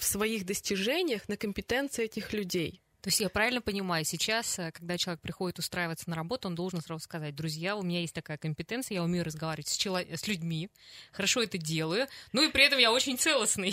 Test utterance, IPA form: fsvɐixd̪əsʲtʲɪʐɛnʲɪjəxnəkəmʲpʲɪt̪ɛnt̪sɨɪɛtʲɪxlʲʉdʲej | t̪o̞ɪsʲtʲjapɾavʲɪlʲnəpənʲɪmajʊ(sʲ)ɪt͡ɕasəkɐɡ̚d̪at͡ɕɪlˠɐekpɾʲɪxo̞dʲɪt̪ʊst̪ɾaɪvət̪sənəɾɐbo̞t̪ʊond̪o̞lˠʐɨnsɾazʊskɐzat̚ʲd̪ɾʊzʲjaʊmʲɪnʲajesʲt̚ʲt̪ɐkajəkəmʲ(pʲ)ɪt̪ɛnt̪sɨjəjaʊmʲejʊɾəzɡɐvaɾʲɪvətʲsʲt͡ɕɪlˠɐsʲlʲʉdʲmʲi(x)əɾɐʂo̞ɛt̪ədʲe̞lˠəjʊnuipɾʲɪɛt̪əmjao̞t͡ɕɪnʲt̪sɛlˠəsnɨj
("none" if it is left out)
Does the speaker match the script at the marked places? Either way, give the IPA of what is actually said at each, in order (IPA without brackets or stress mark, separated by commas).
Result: sʲ, pʲ, x